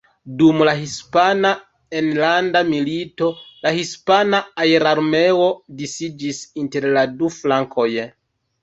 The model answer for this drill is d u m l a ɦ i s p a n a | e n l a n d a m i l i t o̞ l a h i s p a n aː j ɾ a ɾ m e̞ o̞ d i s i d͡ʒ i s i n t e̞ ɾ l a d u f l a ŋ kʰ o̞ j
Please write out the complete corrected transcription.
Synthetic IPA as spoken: d u m l a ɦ i s p a n a | e n l a n d a m i l i t o̞ l a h i s p a n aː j ɾ a ɾ m e̞ o̞ d i s i d͡ʒ i s i n t e̞ ɾ l a d u f l a ŋ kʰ o̞ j